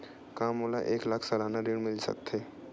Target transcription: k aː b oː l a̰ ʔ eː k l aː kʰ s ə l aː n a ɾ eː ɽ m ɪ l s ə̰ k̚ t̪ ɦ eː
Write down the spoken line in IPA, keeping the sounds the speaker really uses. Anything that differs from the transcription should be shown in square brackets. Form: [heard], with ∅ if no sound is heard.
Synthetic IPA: k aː [m] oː l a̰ ʔ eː k l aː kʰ s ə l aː n a ɾ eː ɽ m ɪ l s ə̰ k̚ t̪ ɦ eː